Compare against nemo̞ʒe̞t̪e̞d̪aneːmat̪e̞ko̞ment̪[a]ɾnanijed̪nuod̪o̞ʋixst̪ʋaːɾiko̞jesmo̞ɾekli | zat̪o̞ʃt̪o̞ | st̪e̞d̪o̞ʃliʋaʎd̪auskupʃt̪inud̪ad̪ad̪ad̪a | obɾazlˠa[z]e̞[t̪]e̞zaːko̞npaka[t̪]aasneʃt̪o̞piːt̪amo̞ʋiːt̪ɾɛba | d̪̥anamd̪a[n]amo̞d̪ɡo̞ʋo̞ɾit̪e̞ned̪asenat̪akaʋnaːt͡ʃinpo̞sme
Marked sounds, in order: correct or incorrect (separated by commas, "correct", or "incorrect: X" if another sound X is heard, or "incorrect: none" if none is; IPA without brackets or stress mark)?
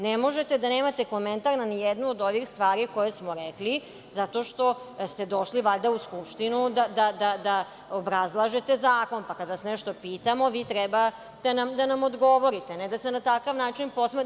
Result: correct, incorrect: ʒ, correct, incorrect: d̪, correct